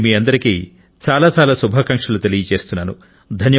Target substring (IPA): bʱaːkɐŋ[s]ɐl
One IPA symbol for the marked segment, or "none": ʂ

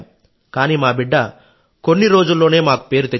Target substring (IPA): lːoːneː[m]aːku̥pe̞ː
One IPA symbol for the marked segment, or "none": m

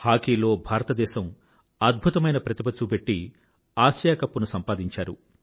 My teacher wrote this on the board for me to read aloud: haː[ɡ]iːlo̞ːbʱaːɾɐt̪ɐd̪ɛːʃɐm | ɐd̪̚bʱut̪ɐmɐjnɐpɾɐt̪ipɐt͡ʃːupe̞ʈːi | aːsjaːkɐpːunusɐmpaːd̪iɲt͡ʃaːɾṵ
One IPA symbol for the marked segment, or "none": k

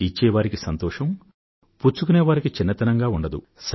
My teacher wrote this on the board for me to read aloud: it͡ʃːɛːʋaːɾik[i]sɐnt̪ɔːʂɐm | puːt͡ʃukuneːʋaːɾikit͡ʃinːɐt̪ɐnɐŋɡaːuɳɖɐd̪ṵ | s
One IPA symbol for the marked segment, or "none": i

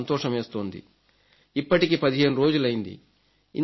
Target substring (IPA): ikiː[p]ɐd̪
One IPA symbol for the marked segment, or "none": p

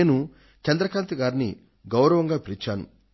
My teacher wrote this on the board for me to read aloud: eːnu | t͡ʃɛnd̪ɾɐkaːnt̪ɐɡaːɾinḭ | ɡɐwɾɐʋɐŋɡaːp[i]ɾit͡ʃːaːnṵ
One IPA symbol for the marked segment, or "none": i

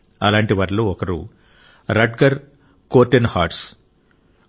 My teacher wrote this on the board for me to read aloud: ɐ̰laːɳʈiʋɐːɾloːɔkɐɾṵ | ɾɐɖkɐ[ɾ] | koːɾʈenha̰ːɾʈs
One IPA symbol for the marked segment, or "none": ɾ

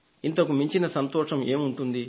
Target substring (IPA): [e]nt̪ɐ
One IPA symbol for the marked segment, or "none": i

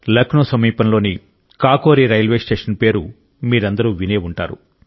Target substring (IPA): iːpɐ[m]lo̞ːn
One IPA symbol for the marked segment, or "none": n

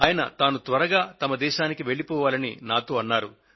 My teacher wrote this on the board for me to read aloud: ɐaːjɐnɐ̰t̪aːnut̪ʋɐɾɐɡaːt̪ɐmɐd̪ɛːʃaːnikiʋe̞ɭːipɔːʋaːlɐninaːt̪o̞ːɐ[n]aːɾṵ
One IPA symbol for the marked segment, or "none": nː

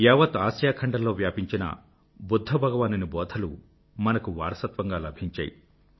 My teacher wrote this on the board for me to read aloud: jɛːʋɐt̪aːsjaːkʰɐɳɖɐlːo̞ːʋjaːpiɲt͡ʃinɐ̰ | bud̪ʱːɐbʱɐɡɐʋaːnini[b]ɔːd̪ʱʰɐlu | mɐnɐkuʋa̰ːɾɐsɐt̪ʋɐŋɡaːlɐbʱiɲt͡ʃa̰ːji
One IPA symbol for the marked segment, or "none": b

